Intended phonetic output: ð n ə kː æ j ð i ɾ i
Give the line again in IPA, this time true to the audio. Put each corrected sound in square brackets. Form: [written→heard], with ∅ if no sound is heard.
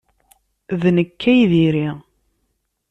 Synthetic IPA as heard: ð n ə kː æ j ð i ɾ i